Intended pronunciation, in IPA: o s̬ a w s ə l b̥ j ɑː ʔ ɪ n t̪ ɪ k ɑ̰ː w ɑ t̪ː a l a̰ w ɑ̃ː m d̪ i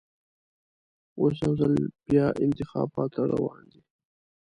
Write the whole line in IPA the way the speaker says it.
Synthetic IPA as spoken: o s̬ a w z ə l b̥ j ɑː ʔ ɪ n t̪ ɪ x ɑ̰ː b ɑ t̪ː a ɾ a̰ w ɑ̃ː n d̪ i